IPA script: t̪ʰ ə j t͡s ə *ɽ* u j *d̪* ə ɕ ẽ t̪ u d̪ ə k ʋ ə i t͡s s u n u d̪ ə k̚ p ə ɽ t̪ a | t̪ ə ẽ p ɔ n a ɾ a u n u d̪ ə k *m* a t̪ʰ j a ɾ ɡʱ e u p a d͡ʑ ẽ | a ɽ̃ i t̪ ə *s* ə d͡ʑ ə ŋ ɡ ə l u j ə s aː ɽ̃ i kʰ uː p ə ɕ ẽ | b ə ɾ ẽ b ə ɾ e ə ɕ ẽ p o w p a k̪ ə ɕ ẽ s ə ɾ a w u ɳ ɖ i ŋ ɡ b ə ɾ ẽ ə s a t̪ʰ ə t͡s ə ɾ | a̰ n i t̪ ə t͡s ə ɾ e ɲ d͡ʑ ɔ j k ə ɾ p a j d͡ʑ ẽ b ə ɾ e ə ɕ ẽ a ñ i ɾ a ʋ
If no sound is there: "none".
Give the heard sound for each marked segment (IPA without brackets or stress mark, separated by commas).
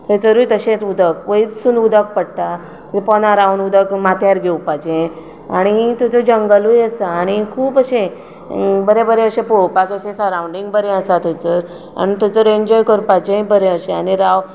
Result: ɾ, t̪, m, t͡s